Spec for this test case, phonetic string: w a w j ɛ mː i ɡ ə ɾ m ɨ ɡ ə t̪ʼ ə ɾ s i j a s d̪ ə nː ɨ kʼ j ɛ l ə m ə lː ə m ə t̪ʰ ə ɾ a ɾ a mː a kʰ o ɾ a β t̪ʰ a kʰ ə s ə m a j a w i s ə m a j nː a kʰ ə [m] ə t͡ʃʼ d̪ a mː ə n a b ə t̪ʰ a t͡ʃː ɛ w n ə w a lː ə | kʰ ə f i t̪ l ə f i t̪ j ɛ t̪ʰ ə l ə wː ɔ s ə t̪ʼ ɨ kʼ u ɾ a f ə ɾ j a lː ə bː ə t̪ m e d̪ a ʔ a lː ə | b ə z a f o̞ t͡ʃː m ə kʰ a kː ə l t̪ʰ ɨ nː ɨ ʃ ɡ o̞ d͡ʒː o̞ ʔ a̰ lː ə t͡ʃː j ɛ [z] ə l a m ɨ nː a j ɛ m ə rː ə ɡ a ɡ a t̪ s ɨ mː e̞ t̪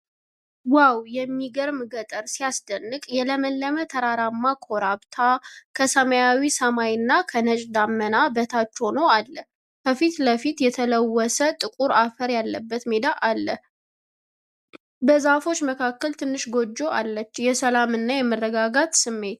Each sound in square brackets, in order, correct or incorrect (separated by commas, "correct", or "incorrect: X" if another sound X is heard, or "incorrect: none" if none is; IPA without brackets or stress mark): incorrect: n, incorrect: s